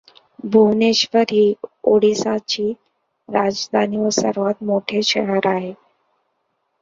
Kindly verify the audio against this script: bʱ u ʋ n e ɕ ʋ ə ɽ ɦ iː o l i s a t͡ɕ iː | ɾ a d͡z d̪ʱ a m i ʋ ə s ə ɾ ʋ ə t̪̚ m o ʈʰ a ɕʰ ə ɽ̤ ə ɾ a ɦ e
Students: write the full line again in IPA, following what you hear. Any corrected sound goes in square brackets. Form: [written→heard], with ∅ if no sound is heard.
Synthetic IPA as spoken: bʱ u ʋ n e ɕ ʋ ə [ɽ→ɾ] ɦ iː o [l→ɽ] i s a t͡ɕ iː | ɾ a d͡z d̪ʱ a [m→n] i ʋ ə s ə ɾ ʋ [ə→a] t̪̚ m o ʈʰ [a→e] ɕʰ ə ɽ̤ ə ɾ a ɦ e